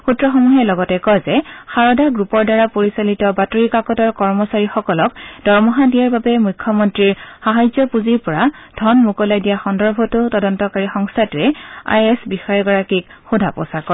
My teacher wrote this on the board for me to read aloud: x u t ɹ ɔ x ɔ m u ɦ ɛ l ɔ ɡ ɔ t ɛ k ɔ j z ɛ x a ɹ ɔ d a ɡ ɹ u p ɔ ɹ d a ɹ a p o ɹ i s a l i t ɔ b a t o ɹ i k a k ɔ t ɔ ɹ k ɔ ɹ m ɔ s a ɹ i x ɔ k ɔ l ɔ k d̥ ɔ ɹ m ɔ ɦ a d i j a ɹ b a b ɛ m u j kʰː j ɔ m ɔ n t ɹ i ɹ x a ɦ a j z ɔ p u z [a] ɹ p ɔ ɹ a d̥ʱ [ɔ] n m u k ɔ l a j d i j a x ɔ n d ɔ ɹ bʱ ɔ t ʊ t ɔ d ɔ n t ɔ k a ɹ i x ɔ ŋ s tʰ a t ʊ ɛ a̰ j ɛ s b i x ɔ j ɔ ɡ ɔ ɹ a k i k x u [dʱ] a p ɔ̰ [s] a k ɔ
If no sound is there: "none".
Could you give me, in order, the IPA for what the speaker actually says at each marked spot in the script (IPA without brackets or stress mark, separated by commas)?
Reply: i, ɔ, dʱ, s